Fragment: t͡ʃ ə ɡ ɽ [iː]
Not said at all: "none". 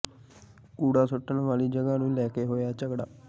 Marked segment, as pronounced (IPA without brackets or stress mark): aː